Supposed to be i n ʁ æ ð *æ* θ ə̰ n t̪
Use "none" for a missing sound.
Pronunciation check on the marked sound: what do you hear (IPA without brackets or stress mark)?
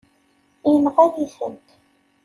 i